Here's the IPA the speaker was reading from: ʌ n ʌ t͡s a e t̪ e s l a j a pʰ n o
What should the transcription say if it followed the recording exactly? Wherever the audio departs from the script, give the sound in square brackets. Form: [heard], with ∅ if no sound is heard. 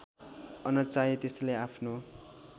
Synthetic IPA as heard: ʌ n ʌ t͡s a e t̪ e s l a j a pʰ n o